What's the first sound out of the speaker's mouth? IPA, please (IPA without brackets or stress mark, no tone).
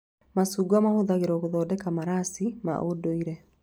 m